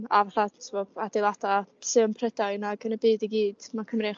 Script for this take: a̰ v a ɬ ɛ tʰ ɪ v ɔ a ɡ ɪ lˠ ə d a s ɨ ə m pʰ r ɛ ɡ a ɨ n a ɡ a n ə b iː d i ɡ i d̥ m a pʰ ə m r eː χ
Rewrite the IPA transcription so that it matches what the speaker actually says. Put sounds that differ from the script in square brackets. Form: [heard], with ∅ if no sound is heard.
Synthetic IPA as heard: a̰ v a ɬ [a] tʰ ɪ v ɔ a [d] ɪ lˠ [a] d a s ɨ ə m pʰ r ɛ [d] a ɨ n a ɡ [ə] n ə b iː d i ɡ [iː] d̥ m a [kʰ] ə m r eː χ